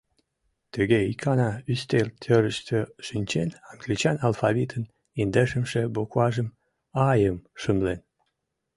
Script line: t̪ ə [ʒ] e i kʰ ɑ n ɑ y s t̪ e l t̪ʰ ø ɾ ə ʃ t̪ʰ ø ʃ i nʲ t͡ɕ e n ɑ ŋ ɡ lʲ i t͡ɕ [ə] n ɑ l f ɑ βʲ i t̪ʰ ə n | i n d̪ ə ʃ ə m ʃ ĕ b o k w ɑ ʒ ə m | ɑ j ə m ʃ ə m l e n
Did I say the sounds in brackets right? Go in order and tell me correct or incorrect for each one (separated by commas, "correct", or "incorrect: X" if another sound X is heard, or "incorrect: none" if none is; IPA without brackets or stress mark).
incorrect: ɣ, incorrect: ɑ